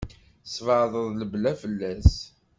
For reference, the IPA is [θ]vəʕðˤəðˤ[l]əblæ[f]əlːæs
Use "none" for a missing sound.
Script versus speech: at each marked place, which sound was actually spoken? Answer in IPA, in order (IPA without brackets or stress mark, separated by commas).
s, l, f